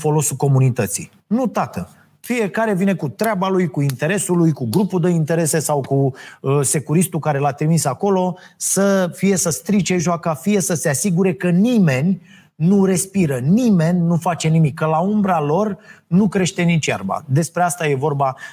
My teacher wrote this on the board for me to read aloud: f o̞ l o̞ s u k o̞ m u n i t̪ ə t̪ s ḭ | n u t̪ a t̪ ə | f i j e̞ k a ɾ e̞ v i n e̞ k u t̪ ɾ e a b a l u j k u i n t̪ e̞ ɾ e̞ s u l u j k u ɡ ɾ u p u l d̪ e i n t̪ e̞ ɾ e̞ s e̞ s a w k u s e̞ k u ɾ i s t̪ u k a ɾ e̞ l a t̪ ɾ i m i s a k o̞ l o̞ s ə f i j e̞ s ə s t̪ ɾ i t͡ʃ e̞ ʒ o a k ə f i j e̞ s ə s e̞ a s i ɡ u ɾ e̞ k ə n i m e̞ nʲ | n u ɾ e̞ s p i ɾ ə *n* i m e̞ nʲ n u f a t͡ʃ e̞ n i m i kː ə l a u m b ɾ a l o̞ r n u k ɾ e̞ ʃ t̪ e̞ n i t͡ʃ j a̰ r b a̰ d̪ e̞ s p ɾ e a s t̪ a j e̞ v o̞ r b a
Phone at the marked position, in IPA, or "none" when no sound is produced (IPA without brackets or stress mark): n